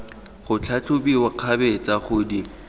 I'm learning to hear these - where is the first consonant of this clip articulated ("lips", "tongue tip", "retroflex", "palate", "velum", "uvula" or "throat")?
uvula